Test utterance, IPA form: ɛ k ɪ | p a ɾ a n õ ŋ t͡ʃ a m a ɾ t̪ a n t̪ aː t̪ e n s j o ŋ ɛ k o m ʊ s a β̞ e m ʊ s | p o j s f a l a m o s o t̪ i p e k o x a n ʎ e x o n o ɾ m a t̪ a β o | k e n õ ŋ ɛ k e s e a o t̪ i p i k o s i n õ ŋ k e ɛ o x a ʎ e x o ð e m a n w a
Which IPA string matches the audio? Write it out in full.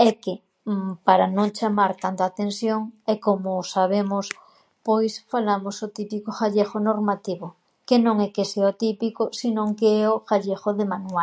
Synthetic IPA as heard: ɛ k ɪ | p a ɾ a n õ ŋ t͡ʃ a m a ɾ t̪ a n t̪ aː t̪ e n s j o ŋ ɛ k o m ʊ s a β̞ e m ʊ s | p o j s f a l a m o s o t̪ i p i k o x a ʎ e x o n o ɾ m a t̪ i β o | k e n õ ŋ ɛ k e s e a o t̪ i p i k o s i n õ ŋ k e ɛ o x a ʎ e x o ð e m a n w a